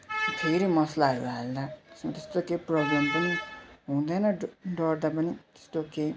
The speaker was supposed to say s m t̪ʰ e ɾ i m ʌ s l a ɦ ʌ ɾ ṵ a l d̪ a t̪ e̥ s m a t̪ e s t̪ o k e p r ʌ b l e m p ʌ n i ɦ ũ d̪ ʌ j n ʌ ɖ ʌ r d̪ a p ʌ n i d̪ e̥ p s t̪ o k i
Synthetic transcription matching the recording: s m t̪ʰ e ɾ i m ʌ s l a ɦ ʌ ɾ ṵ a l d̪ a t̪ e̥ s m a t̪ e s t̪ o k e p r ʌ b l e m p ʌ n i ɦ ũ d̪ ʌ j n ʌ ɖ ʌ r d̪ a p ʌ n i t̪ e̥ s t̪ o k e